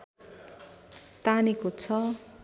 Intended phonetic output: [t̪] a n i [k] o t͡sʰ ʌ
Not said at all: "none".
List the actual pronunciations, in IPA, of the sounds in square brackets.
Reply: t̪, k

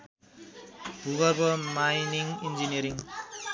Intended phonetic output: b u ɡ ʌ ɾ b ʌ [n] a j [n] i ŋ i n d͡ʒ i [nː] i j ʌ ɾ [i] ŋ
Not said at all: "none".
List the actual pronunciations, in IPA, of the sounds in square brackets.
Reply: m, n, n, i

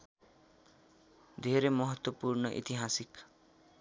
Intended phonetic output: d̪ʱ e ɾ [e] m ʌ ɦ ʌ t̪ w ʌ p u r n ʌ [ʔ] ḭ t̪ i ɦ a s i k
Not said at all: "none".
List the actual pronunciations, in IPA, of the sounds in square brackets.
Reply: e, ʔ

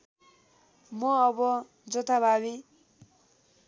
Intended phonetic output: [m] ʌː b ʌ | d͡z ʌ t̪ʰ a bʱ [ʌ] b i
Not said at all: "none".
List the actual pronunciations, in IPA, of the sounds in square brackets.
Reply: m, a

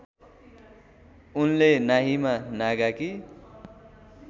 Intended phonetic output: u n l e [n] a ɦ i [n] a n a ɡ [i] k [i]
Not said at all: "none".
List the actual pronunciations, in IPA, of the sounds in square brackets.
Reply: n, m, a, i

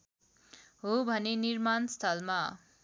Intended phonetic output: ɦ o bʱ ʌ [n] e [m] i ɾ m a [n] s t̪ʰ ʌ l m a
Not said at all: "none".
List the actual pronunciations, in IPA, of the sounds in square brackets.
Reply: n, n, n

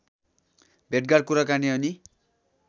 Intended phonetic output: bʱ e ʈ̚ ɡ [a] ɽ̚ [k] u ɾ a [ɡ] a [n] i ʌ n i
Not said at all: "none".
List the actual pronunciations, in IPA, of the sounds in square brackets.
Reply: a, k, k, n

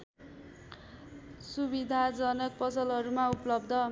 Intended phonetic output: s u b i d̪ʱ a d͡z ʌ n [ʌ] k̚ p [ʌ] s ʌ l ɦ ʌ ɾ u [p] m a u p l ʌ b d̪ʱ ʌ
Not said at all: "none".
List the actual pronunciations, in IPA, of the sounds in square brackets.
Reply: ʌ, ʌ, none

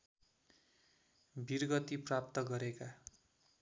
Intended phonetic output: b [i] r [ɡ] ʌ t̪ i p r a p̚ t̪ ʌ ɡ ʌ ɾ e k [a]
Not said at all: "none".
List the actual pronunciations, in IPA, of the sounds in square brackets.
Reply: i, ɡ, a

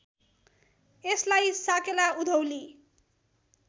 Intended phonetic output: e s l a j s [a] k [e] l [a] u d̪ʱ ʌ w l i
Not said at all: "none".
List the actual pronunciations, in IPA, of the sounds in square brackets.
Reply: a, e, a

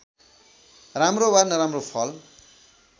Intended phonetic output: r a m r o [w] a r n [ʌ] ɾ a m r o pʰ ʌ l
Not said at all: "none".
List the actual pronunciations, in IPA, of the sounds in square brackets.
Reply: w, ʌ

